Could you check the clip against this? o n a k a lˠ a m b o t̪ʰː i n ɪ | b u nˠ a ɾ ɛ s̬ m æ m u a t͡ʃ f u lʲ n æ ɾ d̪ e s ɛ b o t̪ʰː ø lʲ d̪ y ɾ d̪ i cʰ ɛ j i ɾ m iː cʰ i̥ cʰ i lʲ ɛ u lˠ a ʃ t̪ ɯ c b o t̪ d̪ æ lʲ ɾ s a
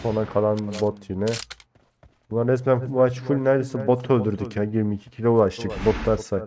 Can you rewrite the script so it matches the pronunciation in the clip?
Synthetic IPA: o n a kʰ a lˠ a n b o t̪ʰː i n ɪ | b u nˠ a ɾ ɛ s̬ m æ n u a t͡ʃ f u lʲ n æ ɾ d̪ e s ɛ b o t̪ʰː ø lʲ d̪ y ɾ d̪ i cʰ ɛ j i ɾ m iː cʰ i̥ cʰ i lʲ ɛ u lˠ a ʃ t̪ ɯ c b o t̪ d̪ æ ɾ s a